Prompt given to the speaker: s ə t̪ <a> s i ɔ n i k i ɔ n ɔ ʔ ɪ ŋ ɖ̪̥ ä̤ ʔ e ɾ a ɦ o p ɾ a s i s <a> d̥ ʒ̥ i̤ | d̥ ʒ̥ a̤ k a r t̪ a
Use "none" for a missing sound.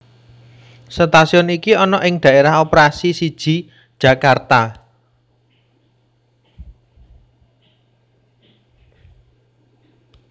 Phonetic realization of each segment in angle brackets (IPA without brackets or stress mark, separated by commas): a, i